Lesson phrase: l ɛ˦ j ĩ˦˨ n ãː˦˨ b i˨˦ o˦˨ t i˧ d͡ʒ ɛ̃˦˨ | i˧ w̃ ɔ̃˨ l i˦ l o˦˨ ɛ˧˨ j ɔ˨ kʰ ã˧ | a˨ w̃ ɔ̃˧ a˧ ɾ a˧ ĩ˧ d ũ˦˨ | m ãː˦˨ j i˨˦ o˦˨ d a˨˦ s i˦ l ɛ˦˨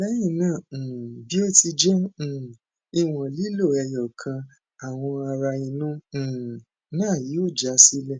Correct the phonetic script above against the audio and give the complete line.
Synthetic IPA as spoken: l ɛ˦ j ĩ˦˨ n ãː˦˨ b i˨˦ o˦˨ t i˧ d͡ʒ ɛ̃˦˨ | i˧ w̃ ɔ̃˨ l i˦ l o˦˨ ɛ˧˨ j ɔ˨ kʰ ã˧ | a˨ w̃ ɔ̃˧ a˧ ɾ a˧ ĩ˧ n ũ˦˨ | n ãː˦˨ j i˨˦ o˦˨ d͡ʒ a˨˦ s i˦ l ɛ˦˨

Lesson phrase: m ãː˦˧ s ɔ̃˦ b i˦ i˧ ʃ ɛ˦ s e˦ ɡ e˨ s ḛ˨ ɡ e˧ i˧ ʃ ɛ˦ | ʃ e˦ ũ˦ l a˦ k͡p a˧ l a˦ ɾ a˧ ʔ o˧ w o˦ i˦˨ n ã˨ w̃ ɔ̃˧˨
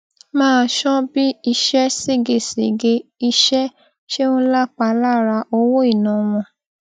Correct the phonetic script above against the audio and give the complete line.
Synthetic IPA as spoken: m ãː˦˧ ʃ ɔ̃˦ b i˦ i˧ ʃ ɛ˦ s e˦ ɡ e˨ s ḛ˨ ɡ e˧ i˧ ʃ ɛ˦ | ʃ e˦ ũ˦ l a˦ k͡p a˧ l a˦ ɾ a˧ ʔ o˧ w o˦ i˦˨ n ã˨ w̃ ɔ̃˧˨

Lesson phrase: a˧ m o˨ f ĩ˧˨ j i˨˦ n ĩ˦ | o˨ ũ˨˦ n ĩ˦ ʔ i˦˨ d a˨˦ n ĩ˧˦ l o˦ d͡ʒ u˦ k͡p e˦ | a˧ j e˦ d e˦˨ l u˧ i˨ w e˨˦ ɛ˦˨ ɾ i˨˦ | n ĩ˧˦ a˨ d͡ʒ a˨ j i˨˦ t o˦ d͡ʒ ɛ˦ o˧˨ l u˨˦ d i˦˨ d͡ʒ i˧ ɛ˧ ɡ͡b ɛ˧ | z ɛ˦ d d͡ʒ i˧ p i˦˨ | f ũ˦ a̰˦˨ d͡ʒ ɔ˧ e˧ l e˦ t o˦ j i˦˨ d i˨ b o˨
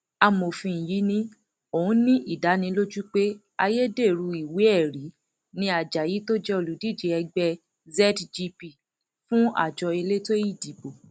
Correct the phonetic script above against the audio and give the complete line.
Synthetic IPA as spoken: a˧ m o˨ f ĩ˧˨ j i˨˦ n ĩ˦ | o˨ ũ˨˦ n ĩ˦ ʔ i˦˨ d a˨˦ n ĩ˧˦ l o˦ d͡ʒ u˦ k͡p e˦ | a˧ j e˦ d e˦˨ ɾ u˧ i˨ w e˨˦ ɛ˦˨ ɾ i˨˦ | n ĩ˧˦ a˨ d͡ʒ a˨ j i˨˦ t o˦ d͡ʒ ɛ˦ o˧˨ l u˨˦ d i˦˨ d͡ʒ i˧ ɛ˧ ɡ͡b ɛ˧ | z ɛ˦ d d͡ʒ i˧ p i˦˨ | f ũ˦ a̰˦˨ d͡ʒ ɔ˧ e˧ l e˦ t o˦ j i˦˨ d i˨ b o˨

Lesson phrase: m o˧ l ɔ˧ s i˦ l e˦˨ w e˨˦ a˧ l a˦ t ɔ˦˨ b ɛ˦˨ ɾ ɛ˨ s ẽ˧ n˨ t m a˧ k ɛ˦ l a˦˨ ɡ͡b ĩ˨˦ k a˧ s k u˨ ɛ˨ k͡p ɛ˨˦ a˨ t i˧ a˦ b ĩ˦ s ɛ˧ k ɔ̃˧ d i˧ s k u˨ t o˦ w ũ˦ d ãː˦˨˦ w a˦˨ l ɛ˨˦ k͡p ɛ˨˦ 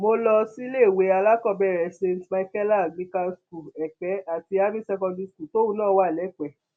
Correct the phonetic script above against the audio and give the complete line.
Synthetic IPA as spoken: m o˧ l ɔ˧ s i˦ l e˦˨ w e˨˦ a˧ l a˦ k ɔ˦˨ b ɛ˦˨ ɾ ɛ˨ s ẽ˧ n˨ t m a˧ k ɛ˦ l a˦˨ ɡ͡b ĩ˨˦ k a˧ s k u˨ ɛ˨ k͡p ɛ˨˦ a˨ t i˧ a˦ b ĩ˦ s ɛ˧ k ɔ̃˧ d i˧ s k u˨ t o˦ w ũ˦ n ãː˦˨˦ w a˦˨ l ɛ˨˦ k͡p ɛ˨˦

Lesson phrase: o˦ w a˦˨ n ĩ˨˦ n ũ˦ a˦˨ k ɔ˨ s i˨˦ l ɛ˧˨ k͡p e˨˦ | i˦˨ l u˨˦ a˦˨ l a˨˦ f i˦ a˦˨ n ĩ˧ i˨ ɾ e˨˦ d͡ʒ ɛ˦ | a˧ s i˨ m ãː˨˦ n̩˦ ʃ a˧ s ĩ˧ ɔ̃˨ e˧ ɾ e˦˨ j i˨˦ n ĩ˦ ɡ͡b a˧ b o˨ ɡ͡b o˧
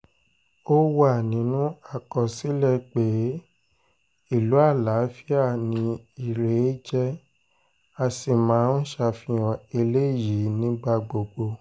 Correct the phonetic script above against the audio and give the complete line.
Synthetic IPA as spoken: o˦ w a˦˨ n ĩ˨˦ n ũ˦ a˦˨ k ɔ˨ s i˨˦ l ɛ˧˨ k͡p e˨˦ | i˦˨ l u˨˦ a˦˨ l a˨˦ f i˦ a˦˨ n ĩ˧ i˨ ɾ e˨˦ d͡ʒ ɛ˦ | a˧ s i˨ m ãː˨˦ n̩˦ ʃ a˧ f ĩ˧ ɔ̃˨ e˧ l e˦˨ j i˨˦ n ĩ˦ ɡ͡b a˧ ɡ͡b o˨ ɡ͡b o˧

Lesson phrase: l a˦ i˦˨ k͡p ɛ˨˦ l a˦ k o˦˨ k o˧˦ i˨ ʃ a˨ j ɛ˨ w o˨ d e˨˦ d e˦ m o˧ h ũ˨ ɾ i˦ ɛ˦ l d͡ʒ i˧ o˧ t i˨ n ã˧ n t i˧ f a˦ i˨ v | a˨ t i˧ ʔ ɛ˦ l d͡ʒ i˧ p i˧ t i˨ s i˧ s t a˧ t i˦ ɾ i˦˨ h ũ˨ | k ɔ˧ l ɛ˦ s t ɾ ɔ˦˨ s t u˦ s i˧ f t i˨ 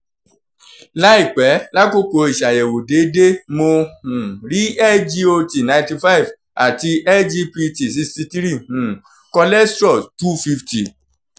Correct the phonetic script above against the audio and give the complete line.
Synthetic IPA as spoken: l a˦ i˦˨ k͡p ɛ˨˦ l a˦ k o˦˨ k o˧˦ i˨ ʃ a˨ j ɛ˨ w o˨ d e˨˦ d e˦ m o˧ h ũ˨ ɾ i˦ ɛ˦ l d͡ʒ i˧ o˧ t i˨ n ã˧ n t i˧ f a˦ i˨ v | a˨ t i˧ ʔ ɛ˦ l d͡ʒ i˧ p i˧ t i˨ s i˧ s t i˧ t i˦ ɾ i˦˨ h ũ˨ | k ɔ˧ l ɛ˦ s t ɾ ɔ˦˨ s t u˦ f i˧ f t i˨

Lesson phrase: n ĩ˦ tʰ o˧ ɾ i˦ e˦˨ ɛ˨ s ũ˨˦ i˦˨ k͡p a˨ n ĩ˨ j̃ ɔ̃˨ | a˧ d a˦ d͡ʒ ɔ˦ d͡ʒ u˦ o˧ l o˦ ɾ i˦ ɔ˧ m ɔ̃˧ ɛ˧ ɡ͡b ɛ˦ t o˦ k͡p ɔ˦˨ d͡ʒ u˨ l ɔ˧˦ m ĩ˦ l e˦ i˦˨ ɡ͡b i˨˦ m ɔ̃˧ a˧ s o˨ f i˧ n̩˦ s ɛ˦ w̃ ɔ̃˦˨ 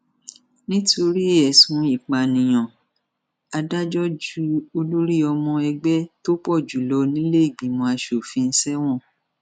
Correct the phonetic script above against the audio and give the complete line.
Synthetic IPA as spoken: n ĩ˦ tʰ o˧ ɾ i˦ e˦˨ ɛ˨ s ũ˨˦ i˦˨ k͡p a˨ n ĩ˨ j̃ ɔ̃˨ | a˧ d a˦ d͡ʒ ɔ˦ d͡ʒ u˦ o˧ l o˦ ɾ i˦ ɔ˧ m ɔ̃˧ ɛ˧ ɡ͡b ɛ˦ t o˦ k͡p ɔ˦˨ d͡ʒ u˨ l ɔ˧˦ n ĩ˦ l e˦ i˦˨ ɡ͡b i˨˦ m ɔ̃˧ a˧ ʃ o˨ f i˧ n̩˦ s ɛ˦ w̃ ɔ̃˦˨

